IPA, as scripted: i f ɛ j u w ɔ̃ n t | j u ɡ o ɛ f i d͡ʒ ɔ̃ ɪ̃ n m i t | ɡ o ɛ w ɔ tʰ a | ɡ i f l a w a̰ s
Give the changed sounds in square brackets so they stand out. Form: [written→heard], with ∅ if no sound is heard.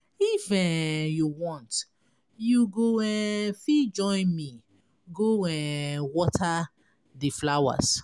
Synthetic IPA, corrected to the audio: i f ɛ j u w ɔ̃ n t | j u ɡ o ɛ f i d͡ʒ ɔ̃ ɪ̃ n m i [t→∅] | ɡ o ɛ w ɔ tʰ a | [ɡ→d] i f l a w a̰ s